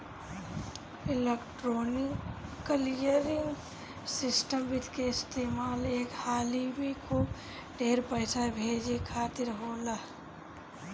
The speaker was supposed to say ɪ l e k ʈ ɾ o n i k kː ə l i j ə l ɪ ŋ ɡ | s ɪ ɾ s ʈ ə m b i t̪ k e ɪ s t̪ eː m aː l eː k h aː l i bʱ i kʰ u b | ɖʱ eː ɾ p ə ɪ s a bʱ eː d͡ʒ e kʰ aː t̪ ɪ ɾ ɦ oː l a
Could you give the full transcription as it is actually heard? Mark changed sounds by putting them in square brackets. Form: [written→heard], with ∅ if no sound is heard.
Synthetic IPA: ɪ l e k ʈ ɾ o n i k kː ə l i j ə [l→ɾ] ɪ ŋ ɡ | s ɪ [ɾ→∅] s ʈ ə m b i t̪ k e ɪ s t̪ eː m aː l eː k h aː l i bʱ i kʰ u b | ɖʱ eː ɾ p ə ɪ s a bʱ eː d͡ʒ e kʰ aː t̪ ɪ ɾ ɦ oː l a